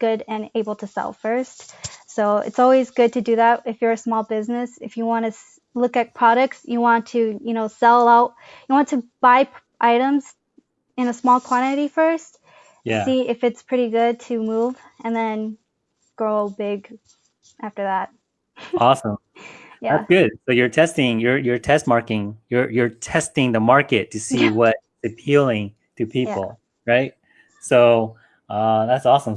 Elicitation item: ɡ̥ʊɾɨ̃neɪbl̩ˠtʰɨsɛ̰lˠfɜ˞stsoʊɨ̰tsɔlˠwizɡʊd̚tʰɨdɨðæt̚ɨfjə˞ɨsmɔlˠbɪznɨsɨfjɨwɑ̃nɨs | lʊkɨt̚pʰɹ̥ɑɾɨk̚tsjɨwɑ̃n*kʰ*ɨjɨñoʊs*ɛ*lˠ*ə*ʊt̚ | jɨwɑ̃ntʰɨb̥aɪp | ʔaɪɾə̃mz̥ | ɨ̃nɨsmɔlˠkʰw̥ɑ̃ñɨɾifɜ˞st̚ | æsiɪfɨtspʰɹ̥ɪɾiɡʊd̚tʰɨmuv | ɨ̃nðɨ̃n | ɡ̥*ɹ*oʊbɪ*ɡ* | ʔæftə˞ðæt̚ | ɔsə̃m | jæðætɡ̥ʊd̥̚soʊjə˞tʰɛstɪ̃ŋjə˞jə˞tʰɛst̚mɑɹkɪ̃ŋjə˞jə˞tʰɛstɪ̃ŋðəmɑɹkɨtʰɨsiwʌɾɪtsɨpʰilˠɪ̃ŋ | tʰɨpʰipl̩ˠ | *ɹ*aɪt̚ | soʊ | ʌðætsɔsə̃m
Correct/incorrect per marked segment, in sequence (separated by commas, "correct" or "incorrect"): incorrect, correct, incorrect, correct, correct, correct